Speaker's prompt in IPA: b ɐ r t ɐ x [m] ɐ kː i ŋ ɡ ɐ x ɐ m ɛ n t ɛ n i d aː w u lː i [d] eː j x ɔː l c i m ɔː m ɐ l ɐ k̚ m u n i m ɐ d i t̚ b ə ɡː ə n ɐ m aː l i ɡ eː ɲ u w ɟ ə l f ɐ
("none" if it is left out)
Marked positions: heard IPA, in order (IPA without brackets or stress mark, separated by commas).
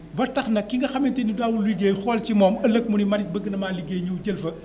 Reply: n, ɡ